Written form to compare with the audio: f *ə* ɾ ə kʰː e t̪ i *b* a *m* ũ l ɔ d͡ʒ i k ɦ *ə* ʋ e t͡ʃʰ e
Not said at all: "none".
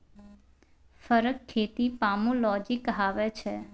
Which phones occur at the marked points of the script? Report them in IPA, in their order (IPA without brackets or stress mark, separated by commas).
ə, p, m, a